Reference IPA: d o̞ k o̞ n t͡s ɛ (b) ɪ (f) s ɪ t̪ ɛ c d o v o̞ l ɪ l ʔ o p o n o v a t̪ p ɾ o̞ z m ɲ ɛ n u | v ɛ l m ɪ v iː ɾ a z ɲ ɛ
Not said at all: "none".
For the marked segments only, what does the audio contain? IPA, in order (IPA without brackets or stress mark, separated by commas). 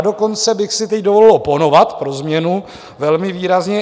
b, x